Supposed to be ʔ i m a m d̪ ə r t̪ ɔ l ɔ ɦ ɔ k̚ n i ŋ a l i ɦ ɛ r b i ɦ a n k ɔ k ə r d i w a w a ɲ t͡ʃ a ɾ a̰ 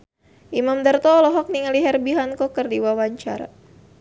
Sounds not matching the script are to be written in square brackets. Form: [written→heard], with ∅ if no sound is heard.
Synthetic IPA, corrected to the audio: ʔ i m a m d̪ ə r t̪ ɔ l ɔ ɦ ɔ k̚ n i ŋ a l i ɦ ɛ r b i ɦ a n k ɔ k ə r d i w a w a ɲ t͡ʃ a ɾ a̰